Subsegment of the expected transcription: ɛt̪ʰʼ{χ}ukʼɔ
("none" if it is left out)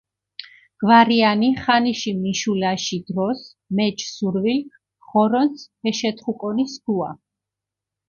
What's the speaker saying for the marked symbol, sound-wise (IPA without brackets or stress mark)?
χ